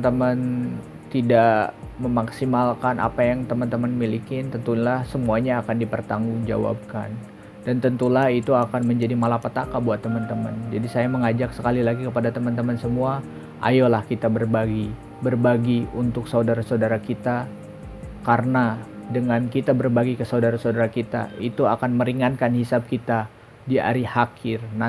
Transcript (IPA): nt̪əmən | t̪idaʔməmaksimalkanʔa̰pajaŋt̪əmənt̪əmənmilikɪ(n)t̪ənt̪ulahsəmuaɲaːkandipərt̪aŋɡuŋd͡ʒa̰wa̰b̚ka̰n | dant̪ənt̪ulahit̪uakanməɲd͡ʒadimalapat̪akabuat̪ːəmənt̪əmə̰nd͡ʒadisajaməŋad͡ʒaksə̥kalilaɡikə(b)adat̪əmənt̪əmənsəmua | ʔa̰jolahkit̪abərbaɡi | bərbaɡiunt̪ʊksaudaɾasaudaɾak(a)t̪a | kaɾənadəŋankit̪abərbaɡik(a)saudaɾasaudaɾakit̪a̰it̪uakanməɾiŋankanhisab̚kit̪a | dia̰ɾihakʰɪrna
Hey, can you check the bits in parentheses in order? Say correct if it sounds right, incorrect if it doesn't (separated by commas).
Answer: correct, incorrect, incorrect, incorrect